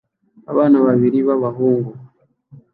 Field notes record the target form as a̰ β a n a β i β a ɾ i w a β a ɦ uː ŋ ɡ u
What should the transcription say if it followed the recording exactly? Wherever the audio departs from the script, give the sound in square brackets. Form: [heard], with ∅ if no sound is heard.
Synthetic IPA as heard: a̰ β a n a β [a] β [i] ɾ i [β] a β a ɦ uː ŋ ɡ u